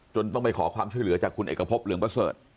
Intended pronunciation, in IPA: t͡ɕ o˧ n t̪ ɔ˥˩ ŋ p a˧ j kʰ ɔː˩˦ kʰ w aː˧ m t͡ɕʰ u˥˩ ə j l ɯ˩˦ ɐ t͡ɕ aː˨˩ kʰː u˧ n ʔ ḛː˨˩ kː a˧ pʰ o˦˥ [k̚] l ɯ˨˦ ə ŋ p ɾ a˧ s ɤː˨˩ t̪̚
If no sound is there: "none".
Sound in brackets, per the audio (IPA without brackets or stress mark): p̚